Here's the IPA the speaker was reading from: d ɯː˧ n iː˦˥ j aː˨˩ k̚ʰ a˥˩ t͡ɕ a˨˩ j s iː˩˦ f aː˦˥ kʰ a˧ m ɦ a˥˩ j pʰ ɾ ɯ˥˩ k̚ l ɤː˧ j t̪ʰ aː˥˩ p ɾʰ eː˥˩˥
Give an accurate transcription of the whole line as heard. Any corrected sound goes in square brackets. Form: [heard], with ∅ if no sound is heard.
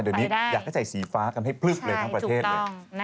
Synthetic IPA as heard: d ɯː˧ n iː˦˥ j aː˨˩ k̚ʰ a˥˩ t͡ɕ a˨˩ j s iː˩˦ f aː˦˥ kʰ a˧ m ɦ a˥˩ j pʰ [l] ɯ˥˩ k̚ l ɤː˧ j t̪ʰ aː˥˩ p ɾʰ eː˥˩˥